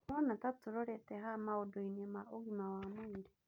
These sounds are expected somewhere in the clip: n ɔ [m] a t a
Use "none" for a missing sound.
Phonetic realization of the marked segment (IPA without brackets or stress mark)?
n